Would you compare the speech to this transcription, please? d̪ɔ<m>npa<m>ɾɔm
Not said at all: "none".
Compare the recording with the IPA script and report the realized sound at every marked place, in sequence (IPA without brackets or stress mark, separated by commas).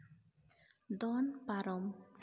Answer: none, none